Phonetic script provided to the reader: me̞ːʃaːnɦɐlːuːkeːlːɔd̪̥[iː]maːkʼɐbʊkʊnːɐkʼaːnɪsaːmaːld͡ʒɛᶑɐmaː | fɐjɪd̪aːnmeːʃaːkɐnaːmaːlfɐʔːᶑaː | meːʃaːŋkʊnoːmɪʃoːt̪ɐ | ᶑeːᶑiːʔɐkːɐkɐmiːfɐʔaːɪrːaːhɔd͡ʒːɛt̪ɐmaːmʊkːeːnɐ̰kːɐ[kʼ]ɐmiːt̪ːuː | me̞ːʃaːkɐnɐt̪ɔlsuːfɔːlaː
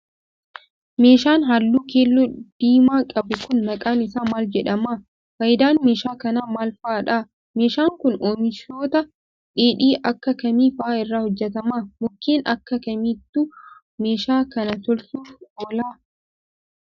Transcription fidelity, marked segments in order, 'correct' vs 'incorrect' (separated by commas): correct, incorrect